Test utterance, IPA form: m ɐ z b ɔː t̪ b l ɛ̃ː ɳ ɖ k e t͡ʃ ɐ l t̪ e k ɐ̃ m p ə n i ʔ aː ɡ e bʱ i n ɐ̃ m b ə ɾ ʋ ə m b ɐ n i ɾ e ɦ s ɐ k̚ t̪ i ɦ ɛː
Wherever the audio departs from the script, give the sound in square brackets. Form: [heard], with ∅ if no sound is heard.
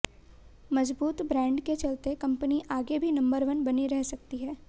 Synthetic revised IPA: m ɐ z b [uː] t̪ b [ɾ] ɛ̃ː ɳ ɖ k e t͡ʃ ɐ l t̪ e k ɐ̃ m p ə n i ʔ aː ɡ e bʱ i n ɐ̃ m b ə ɾ ʋ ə [n] b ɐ n i ɾ [ɛ] ɦ s ɐ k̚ t̪ i ɦ ɛː